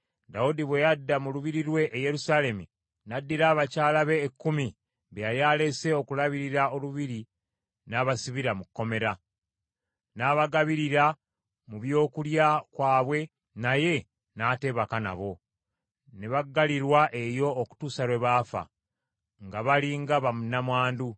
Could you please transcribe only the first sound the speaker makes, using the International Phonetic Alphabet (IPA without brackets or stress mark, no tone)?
d